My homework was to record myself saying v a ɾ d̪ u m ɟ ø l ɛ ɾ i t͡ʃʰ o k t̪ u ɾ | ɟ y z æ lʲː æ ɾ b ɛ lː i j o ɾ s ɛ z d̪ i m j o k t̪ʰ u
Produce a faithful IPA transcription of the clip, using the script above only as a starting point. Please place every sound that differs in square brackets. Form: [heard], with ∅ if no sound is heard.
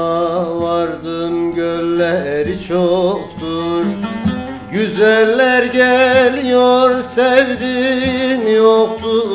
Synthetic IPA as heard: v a ɾ d̪ [ɯ] m ɟ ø [lː] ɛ ɾ i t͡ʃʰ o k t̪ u ɾ | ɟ y z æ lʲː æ ɾ [ɟ] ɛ [l] i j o ɾ s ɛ [v] d̪ i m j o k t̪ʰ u